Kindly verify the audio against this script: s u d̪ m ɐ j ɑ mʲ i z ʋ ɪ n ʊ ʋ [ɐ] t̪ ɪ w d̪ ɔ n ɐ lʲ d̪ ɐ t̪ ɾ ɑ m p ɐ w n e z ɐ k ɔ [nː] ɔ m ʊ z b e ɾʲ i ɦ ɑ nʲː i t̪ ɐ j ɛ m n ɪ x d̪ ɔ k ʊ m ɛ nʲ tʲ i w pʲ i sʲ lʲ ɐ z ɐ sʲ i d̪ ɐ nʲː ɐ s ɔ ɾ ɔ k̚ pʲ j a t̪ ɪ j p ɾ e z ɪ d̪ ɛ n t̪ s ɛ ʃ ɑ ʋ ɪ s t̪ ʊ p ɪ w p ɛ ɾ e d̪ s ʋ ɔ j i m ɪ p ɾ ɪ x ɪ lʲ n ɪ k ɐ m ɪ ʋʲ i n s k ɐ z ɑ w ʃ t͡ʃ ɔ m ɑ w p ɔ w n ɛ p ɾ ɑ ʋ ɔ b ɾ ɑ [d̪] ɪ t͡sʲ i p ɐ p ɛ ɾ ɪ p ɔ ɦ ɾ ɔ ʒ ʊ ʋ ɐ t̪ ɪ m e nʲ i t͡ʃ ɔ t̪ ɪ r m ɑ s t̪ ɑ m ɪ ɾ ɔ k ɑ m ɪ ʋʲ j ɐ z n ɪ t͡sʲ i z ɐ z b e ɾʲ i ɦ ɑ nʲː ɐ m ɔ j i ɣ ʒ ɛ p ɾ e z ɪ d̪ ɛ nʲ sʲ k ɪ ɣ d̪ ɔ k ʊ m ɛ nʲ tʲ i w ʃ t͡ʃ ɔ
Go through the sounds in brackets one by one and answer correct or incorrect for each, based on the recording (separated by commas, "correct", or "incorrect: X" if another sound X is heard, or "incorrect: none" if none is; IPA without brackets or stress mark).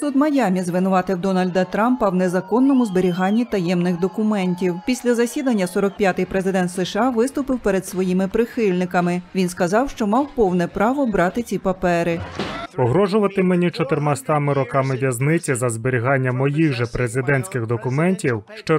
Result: incorrect: ɑ, correct, incorrect: t̪